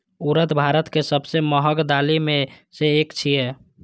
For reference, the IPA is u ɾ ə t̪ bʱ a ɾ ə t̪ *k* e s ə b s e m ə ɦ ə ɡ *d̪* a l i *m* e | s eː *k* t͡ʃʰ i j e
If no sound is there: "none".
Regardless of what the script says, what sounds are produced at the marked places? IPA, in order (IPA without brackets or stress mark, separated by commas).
k, d̪, m, k